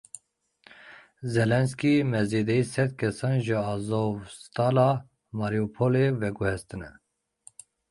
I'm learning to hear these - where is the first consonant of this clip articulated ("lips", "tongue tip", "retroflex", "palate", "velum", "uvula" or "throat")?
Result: tongue tip